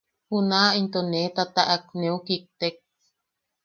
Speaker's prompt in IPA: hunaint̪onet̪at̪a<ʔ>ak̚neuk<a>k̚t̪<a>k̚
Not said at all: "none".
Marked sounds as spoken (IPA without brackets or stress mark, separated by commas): ʔ, i, e